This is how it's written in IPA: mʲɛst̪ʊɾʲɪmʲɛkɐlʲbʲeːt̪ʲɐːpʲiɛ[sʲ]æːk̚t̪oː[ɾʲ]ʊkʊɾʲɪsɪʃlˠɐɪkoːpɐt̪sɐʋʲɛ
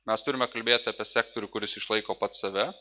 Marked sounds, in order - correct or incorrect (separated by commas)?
correct, correct